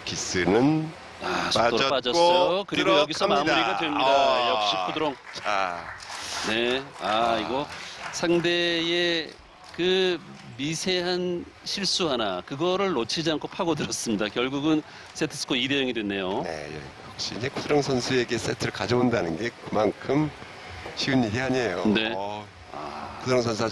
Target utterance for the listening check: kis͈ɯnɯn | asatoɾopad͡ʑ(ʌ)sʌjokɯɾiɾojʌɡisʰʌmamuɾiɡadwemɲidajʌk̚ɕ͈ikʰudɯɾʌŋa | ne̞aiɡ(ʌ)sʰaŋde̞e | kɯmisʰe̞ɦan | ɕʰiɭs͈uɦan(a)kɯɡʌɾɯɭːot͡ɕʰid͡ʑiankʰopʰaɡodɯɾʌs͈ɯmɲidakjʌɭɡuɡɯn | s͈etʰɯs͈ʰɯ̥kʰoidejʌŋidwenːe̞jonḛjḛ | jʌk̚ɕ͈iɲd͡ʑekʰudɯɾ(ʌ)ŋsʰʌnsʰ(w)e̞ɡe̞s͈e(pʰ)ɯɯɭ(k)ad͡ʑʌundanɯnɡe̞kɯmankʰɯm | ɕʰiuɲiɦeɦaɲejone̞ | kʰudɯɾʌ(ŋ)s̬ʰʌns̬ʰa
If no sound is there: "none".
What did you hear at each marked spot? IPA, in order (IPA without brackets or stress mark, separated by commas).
ʌ, ʌ, a, ʌ, u, tʰ, k, ŋ